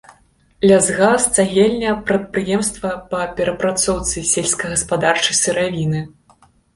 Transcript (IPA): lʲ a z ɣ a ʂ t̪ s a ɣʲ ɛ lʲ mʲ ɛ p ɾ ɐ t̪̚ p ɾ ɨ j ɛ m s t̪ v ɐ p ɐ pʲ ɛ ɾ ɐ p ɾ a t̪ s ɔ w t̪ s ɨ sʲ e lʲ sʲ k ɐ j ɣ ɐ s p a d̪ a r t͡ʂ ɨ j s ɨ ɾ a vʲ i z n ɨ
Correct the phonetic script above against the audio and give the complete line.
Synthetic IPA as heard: lʲ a z ɣ a s t̪ s a ɣʲ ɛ lʲ nʲ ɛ p ɾ ɐ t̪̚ p ɾ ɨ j ɛ m s t̪ v ɐ p ɐ pʲ ɛ ɾ ɐ p ɾ a t̪ s ɔ w t̪ s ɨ sʲ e lʲ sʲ k ɐ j ɣ ɐ s p a d̪ a r t͡ʂ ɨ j s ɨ ɾ a vʲ i n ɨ

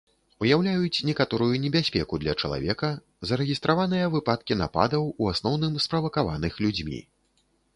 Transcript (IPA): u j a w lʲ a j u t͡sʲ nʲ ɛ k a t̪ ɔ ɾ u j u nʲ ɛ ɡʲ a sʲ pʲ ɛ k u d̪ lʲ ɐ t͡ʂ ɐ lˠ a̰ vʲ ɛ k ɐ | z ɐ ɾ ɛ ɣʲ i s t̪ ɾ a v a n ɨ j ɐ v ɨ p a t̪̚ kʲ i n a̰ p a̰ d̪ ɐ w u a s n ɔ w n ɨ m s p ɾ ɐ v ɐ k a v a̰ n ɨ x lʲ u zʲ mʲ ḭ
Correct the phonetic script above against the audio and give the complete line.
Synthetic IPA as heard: u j a w lʲ a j u t͡sʲ nʲ ɛ k a t̪ ɔ ɾ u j u nʲ ɛ bʲ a sʲ pʲ ɛ k u d̪ lʲ ɐ t͡ʂ ɐ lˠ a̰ vʲ ɛ k ɐ | z ɐ ɾ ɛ ɣʲ i s t̪ ɾ a v a n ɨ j ɐ v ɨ p a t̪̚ kʲ i n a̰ p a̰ d̪ ɐ w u a s n ɔ w n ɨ m s p ɾ ɐ v ɐ k a v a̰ n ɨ x lʲ u d͡zʲ mʲ ḭ

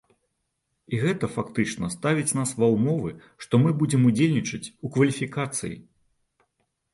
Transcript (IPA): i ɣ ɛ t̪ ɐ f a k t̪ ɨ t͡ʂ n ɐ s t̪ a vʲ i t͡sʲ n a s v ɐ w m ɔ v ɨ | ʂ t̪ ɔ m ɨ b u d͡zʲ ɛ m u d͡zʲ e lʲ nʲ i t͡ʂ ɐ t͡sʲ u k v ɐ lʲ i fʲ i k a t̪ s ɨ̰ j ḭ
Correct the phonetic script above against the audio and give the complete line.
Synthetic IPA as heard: i ɣ ɛ t̪ ɐ f a k t̪ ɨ t͡ʂ n ɐ s t̪ a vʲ i t͡sʲ n a s v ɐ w m ɔ v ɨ | ʂ t̪ ɔ m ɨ b u d͡zʲ ɛ m u d͡zʲ e lʲ nʲ i t͡ʂ ɐ t͡sʲ u k v ɐ lʲ i fʲ i k a t̪ s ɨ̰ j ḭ

